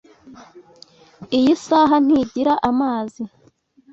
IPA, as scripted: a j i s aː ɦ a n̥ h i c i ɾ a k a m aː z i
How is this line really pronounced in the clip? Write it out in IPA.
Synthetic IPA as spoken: i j i s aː ɦ a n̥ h i ɟ i ɾ a ʔ a m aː z i